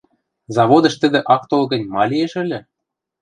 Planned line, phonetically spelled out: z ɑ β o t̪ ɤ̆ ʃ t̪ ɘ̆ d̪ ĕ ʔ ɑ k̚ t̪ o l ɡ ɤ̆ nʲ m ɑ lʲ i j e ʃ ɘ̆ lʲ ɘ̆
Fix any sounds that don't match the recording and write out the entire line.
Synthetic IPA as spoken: z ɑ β o d̪ ɤ̆ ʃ t̪ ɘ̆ d̪ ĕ ʔ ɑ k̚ t̪ o l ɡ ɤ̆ nʲ m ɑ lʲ i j e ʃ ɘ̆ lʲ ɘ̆